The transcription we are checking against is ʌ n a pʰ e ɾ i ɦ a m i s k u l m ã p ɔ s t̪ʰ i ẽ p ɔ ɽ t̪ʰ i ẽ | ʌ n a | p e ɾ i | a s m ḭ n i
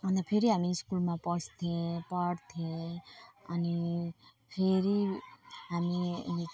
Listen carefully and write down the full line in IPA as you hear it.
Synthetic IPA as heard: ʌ n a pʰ e ɾ i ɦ a m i s k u l m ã p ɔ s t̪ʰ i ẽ p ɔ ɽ t̪ʰ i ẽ | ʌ n i | pʰ e ɾ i | a m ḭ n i